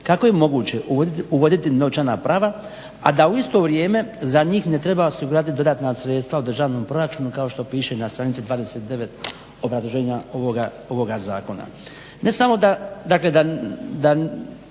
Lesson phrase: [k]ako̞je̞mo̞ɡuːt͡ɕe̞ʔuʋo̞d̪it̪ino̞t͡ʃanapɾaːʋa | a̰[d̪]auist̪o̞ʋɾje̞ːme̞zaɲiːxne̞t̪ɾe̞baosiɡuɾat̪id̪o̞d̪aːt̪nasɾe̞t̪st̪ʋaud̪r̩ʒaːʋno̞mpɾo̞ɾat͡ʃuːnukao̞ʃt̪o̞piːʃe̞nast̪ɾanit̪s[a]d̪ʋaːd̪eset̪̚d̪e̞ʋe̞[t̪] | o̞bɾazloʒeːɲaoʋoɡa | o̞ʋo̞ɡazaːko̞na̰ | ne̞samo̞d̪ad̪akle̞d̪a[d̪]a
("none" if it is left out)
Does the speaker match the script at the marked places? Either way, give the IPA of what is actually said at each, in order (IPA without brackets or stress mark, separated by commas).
k, d̪, i, t̪, d̪